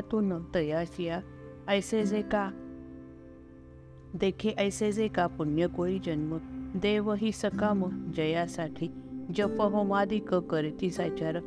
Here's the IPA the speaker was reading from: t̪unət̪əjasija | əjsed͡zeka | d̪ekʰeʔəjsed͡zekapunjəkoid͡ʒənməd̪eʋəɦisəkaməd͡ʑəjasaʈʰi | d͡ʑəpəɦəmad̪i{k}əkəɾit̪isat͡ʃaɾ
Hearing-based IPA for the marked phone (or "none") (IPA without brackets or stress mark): k